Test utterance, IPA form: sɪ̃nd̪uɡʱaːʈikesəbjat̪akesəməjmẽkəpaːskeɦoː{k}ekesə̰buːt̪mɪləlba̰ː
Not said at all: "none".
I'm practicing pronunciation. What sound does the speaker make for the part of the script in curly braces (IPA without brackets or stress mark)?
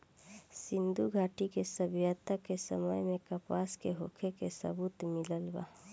kʰ